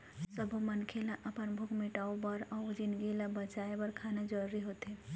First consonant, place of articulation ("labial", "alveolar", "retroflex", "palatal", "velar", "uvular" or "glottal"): alveolar